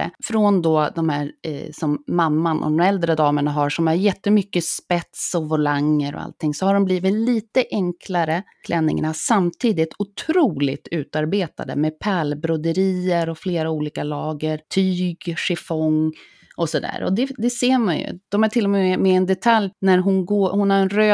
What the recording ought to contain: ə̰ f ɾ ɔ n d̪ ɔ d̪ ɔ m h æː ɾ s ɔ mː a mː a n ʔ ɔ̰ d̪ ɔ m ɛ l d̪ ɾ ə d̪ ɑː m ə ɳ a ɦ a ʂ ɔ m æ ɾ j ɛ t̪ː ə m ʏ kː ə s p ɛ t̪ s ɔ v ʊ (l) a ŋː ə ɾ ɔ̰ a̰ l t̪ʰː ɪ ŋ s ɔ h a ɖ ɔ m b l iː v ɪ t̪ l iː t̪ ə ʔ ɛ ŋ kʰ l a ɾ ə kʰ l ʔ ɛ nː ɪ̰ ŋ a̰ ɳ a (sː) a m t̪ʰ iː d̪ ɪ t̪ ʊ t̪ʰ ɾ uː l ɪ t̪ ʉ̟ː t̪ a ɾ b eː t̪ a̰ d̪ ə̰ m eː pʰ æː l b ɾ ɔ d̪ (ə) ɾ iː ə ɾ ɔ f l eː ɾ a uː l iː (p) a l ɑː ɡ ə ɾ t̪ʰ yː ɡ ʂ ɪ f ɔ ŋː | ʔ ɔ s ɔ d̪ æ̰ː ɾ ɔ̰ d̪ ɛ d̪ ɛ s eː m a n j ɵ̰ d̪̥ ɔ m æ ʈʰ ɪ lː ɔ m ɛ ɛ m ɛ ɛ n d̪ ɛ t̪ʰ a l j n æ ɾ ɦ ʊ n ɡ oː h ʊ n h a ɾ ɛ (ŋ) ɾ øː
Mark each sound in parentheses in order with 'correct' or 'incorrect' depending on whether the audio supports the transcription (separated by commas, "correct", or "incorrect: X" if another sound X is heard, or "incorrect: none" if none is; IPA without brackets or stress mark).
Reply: correct, incorrect: s, correct, incorrect: k, incorrect: n